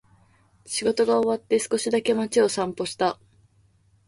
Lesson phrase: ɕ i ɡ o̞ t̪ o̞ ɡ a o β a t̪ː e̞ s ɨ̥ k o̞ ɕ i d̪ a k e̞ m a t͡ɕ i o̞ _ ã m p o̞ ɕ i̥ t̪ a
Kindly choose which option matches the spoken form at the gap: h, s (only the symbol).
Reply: s